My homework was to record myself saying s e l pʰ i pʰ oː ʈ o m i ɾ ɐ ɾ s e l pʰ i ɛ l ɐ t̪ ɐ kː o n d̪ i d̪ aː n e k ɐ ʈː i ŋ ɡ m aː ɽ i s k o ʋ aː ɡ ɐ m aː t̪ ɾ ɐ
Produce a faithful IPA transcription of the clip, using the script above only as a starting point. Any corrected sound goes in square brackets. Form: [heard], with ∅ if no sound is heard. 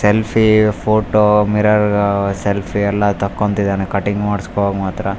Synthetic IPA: s e l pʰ i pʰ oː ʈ o m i ɾ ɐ ɾ s e l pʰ i ɛ [lː] ɐ t̪ ɐ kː o n [t̪] i d̪ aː n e k ɐ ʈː i ŋ ɡ m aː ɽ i s k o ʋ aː ɡ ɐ m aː t̪ ɾ ɐ